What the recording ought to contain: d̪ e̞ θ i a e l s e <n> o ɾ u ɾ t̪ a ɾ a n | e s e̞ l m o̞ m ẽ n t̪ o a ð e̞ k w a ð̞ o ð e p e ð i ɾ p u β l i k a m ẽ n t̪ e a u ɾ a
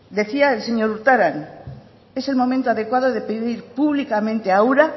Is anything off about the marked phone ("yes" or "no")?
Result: yes